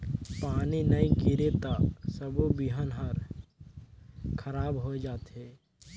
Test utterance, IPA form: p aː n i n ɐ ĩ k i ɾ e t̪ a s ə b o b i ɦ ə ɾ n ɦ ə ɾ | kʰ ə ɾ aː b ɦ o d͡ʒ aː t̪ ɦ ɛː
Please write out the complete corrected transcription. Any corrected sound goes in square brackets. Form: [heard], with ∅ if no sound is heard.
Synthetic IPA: p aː n i n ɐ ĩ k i ɾ e t̪ a s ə b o b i ɦ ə [∅] n ɦ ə ɾ | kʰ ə ɾ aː b ɦ o d͡ʒ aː t̪ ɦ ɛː